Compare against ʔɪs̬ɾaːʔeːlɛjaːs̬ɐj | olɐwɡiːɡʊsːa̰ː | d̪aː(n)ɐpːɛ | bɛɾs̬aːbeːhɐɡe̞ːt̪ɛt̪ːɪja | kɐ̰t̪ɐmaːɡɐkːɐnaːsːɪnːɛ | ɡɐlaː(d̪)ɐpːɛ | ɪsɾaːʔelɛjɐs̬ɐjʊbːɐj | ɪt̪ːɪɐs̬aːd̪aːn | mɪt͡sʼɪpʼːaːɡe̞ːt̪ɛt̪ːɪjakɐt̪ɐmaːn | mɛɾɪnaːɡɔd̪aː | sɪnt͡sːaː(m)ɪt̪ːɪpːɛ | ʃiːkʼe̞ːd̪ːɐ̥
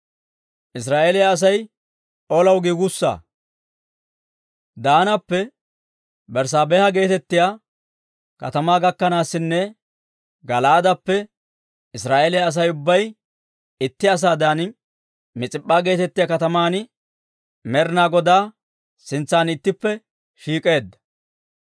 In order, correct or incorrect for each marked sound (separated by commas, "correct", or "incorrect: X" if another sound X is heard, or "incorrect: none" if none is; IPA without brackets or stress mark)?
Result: correct, correct, incorrect: n